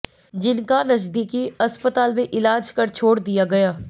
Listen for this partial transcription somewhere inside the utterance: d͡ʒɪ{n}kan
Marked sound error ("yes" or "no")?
no